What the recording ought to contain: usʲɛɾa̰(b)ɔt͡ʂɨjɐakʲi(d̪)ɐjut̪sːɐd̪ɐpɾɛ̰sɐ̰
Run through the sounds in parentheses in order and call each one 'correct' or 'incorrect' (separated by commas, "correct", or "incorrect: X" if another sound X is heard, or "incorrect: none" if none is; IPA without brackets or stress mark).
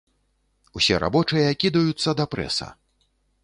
correct, correct